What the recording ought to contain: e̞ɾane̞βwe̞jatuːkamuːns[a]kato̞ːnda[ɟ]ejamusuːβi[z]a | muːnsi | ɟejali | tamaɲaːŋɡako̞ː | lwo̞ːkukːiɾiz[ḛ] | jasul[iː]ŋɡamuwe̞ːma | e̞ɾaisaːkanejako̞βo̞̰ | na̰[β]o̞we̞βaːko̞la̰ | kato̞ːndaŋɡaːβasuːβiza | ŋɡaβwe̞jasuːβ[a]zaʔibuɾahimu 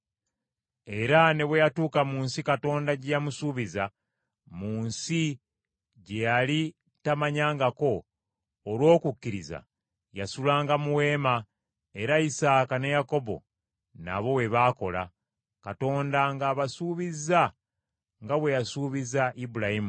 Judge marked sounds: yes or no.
no, yes, yes, no, no, yes, no

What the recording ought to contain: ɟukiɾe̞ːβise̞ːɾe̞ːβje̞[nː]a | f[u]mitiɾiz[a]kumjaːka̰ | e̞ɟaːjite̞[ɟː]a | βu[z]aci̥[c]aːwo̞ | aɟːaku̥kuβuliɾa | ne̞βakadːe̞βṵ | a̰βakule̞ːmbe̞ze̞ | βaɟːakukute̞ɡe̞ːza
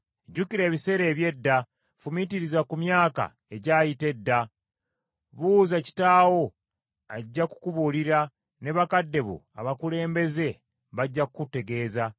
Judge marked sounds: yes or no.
no, yes, yes, no, yes, no

